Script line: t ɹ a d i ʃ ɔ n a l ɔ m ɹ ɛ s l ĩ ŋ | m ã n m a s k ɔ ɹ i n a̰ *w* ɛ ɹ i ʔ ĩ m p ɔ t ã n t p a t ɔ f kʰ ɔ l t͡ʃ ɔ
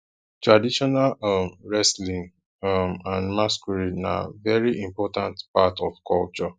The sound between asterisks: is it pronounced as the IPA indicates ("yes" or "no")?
no